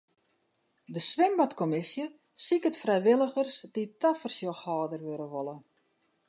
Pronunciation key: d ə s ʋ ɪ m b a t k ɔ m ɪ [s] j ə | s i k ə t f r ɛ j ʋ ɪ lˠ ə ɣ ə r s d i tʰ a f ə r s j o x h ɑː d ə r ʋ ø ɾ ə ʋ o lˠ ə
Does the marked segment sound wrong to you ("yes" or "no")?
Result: no